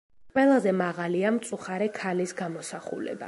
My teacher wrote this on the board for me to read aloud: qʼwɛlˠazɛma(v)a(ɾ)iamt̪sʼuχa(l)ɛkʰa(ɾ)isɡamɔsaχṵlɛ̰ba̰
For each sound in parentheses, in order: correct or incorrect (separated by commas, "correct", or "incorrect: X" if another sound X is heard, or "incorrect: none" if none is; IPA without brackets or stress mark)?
incorrect: ʁ, incorrect: l, incorrect: ɾ, incorrect: l